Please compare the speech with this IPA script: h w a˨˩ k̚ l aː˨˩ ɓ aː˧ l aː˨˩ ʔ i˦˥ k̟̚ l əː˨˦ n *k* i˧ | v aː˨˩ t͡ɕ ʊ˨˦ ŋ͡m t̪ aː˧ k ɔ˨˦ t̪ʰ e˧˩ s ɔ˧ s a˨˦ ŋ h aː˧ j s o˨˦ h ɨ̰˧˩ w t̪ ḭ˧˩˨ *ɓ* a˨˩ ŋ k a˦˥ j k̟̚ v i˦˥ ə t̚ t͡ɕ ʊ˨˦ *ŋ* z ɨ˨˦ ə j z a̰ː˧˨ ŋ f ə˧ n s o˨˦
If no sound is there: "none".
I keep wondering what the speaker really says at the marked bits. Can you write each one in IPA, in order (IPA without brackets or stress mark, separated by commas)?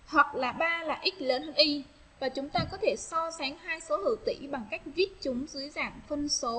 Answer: ʔ, ɓ, ŋ͡m